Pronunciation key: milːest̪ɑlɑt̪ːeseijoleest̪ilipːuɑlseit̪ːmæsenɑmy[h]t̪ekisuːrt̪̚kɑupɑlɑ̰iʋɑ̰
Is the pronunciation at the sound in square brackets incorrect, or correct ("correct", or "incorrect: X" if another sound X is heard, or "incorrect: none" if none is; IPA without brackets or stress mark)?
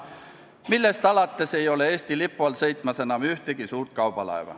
correct